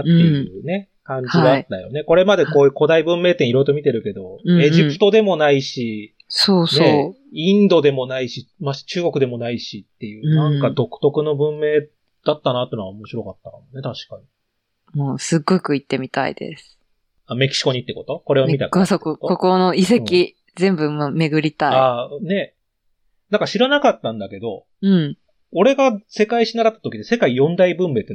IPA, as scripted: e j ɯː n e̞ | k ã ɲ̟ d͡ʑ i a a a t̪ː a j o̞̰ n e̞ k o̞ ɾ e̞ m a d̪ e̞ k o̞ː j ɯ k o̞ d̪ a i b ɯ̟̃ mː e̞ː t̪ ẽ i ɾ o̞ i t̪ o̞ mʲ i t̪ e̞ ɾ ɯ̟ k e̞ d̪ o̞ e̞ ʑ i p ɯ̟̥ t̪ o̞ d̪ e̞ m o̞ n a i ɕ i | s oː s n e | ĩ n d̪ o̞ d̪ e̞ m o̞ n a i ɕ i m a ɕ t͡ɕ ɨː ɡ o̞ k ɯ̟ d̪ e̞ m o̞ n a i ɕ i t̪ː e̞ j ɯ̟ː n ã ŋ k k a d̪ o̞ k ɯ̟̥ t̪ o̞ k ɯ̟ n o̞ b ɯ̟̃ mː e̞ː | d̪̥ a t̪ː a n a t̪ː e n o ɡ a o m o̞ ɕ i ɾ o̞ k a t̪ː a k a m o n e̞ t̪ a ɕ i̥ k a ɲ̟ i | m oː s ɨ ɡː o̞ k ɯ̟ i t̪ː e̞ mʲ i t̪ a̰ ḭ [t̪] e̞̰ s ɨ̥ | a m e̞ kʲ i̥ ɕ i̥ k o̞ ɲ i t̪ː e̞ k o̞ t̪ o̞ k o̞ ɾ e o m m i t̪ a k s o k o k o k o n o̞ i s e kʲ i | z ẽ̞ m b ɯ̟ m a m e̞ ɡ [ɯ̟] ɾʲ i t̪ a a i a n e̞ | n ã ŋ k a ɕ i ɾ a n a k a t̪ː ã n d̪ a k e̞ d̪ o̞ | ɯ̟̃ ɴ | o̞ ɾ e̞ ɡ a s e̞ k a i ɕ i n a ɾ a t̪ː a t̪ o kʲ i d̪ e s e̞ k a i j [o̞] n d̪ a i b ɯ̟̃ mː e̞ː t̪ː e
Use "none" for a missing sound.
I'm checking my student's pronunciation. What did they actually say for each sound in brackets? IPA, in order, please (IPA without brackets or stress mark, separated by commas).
d̪, ɯ̟, õ̞